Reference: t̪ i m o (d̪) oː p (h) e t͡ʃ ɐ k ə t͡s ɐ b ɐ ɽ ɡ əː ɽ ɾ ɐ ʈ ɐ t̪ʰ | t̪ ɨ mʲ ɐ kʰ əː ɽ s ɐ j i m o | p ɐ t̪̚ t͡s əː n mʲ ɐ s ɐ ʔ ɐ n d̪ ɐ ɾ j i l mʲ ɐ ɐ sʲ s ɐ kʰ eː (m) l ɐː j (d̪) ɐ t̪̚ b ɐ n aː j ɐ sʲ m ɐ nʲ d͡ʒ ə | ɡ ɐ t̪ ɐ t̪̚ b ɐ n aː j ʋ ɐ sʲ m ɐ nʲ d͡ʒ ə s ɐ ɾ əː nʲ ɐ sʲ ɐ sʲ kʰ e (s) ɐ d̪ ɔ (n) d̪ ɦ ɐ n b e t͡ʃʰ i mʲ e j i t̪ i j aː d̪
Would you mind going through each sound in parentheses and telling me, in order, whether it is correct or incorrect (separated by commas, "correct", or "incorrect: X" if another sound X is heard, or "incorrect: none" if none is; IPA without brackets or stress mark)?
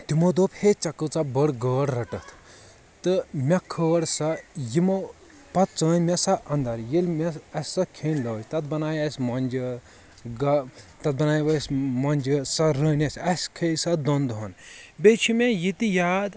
correct, correct, incorrect: n, incorrect: t̪, correct, correct